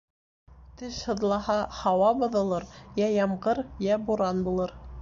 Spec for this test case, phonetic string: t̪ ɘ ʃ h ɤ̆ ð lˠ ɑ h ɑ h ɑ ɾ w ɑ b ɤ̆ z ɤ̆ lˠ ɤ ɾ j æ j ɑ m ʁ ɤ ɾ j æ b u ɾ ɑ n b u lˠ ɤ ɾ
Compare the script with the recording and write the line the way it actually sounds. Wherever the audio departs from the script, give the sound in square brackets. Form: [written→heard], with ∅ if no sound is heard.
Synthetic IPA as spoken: t̪ ɘ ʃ h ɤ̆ ð lˠ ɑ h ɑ h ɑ [ɾ→∅] w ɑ b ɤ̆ [z→ð] ɤ̆ lˠ ɤ ɾ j æ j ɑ m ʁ ɤ ɾ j æ b u ɾ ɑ n b u lˠ ɤ ɾ

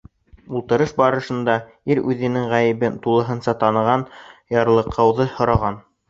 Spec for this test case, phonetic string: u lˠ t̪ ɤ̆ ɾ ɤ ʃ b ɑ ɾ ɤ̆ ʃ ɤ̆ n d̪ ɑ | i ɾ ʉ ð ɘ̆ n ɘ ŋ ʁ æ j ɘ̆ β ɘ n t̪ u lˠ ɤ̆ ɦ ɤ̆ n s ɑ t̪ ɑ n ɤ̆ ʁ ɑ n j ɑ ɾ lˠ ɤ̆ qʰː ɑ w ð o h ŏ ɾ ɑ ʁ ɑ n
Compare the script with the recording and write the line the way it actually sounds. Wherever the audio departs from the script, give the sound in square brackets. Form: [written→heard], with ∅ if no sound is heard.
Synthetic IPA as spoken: u lˠ t̪ ɤ̆ ɾ ɤ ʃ b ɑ ɾ ɤ̆ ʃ ɤ̆ n d̪ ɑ | i ɾ ʉ ð ɘ̆ n ɘ ŋ ʁ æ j ɘ̆ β ɘ n t̪ u lˠ ɤ̆ ɦ ɤ̆ n s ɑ t̪ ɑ n ɤ̆ ʁ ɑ n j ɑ ɾ lˠ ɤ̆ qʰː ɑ w ð [o→ɤ] h ŏ ɾ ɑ ʁ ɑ n

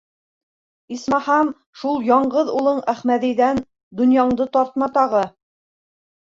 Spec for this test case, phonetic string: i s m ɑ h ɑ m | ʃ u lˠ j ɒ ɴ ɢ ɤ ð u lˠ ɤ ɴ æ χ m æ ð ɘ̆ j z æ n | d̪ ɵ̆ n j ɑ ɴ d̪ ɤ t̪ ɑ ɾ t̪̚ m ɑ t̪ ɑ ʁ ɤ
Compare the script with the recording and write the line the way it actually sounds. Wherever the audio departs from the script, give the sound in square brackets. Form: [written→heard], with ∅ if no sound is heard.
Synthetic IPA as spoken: i s m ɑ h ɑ m | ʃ u lˠ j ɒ ɴ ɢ ɤ ð u lˠ ɤ ɴ æ χ m æ ð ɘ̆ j [z→ð] æ n | d̪ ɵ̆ n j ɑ ɴ d̪ ɤ t̪ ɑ ɾ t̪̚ m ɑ t̪ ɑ ʁ ɤ

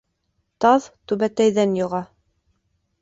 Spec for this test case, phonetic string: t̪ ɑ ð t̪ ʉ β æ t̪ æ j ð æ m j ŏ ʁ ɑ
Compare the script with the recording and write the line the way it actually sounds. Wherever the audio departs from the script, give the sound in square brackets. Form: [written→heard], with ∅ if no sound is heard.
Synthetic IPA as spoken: t̪ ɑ ð t̪ ʉ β æ t̪ æ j ð æ [m→n] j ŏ ʁ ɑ

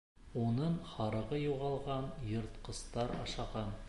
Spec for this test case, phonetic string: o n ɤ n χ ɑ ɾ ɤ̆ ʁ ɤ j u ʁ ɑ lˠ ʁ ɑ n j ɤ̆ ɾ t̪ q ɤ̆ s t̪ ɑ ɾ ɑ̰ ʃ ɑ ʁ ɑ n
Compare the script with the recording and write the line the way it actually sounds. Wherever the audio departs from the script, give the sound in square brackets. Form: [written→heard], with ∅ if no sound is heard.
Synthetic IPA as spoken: o n ɤ [n→ɴ] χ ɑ ɾ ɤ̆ ʁ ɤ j u ʁ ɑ lˠ ʁ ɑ n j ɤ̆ ɾ t̪ q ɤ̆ s t̪ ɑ ɾ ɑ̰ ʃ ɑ ʁ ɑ n

